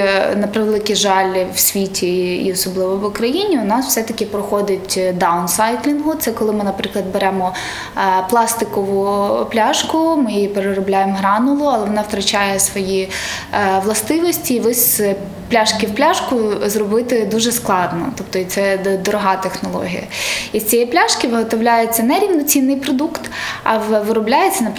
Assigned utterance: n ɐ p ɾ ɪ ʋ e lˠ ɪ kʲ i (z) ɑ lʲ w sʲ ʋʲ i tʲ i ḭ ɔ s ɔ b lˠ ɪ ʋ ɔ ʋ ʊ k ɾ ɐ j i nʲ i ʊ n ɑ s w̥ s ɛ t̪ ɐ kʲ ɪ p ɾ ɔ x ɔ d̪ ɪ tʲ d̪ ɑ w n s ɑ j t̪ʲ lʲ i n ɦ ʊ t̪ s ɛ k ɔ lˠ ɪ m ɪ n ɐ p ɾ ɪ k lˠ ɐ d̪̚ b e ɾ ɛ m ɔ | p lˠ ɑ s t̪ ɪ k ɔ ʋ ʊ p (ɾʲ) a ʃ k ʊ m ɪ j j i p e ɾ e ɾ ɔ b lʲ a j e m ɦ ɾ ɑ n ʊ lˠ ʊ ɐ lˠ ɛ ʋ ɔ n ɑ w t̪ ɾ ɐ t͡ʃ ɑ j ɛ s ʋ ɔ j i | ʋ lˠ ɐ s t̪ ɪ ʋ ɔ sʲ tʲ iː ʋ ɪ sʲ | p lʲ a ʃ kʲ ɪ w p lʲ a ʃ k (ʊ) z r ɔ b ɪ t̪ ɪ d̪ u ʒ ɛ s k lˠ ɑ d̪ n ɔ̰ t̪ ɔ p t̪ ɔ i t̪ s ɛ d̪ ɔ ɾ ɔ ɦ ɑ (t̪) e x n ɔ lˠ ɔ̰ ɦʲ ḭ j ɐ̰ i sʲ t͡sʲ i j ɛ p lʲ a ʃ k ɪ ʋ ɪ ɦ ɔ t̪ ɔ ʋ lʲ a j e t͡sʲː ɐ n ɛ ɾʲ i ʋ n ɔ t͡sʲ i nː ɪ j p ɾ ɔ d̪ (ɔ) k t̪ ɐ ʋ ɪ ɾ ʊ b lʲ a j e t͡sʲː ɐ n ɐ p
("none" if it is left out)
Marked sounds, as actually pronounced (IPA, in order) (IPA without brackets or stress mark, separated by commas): ʒ, lʲ, ʊ, t̪, u